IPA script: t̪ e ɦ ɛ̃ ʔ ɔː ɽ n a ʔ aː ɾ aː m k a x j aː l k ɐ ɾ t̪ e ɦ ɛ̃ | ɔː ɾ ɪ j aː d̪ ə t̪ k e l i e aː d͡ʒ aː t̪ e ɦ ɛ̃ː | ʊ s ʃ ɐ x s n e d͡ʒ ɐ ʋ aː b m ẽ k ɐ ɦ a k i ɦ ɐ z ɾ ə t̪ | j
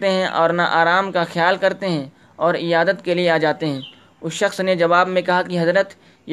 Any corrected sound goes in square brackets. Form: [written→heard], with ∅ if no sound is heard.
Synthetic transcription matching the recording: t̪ e ɦ ɛ̃ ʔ ɔː [ɽ→ɾ] n a ʔ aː ɾ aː m k a x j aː l k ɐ ɾ t̪ e ɦ ɛ̃ | ɔː ɾ ɪ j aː d̪ ə t̪ k e l i e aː d͡ʒ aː t̪ e ɦ ɛ̃ː | ʊ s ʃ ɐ x s n e d͡ʒ ɐ ʋ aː b m ẽ k ɐ ɦ a k i ɦ ɐ z ɾ ə t̪ | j